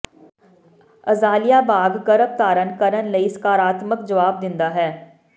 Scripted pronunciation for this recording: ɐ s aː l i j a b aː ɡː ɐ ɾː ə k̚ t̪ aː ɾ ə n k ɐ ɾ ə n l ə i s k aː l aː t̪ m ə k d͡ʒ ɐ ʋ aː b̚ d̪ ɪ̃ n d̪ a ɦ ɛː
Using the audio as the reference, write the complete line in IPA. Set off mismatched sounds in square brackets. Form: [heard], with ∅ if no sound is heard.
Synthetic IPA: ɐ [z] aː l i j a b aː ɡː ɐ [ɾ] ə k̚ t̪ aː ɾ ə n k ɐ ɾ ə n l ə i s k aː [ɾ] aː t̪ m ə k d͡ʒ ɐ ʋ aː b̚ d̪ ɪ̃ n d̪ a ɦ ɛː